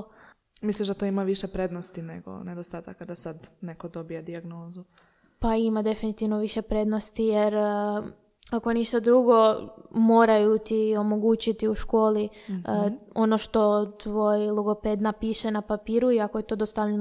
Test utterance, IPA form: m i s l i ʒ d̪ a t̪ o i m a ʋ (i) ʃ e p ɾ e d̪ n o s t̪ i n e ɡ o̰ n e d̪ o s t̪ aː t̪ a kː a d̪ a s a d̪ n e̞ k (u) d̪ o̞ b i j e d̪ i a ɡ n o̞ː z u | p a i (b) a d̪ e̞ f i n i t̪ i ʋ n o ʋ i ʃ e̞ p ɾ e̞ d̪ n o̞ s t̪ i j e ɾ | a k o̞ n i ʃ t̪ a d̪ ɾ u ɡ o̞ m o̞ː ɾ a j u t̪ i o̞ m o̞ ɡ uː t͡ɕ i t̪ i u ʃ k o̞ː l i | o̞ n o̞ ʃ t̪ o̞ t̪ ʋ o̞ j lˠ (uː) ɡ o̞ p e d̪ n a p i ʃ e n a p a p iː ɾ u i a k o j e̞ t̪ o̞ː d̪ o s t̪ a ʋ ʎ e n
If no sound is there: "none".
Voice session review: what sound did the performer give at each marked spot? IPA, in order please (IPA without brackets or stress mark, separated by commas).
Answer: i, o, m, u